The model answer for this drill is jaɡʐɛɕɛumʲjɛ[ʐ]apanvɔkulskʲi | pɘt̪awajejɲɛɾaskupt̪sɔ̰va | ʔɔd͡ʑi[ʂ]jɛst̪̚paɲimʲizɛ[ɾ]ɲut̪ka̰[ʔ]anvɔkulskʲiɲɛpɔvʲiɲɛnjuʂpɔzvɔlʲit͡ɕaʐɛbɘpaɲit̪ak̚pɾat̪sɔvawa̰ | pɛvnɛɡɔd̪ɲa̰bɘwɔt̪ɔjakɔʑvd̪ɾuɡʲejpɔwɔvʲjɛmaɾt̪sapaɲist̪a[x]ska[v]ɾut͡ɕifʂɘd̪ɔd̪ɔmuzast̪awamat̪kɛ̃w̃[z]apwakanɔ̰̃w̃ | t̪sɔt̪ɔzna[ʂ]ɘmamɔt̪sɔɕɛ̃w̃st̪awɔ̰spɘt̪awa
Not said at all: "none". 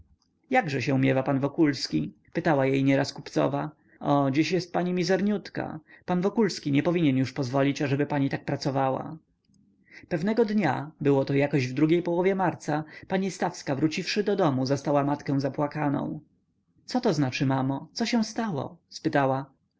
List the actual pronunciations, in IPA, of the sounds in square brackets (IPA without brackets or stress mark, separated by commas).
v, ɕ, ɾ, p, f, v, z, t͡ʂ